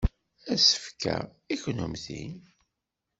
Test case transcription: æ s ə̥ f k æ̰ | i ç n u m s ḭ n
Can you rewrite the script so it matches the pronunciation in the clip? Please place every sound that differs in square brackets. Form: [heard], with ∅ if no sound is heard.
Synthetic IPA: æ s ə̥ f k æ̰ | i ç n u m [θ] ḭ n